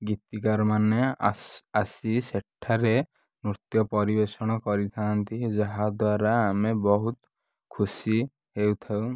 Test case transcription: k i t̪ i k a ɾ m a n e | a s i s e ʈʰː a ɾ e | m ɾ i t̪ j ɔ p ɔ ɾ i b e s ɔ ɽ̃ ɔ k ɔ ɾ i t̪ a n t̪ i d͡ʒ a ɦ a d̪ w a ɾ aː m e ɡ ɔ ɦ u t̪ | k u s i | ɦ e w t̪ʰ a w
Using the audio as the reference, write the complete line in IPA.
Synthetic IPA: ɡ i t̪ i k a ɾ m a n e | a s i s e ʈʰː a ɾ e | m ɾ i t̪ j ɔ p ɔ ɾ i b e s ɔ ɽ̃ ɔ k ɔ ɾ i t̪ʰ a n t̪ i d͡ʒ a ɦ a d̪ w a ɾ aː m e b ɔ ɦ u t̪ | kʰ u s i | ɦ e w t̪ʰ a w